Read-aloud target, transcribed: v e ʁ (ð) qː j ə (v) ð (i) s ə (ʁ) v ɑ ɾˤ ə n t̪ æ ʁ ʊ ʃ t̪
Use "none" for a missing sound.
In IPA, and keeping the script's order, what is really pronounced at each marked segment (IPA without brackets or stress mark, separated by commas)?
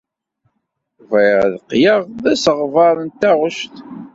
ð, ʁ, æ, ʁ